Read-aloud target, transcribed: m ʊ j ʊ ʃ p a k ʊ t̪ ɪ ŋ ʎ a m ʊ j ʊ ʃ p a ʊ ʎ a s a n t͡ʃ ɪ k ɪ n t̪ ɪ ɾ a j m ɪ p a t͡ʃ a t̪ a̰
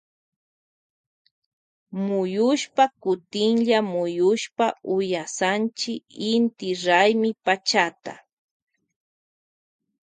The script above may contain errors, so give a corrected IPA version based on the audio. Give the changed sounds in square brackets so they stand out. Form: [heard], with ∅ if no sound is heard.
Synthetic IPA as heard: m ʊ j ʊ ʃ p a k ʊ t̪ ɪ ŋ ʎ a m ʊ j ʊ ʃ p a ʊ [j] a s a n t͡ʃ ɪ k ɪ n t̪ ɪ ɾ a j m ɪ p a t͡ʃ a t̪ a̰